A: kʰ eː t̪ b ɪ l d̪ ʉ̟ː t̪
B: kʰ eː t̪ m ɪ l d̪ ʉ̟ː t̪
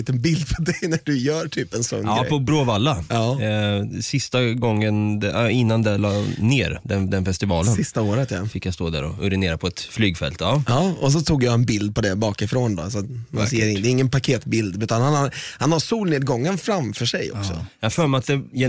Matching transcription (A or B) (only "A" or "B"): A